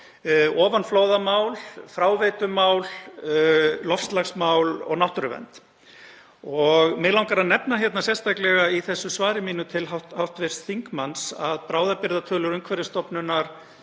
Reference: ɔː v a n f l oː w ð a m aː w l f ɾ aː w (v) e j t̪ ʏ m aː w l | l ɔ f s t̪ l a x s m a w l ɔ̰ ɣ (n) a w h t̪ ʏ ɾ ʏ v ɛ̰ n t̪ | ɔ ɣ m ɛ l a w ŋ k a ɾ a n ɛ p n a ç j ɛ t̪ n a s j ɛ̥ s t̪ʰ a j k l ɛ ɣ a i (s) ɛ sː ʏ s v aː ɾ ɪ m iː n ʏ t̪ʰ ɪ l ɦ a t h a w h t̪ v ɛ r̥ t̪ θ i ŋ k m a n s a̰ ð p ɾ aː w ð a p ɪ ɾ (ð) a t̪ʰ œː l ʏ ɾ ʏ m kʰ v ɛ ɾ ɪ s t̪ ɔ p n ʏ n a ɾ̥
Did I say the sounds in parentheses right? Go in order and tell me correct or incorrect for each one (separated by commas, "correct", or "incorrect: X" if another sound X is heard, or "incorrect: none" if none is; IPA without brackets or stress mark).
correct, correct, incorrect: θ, correct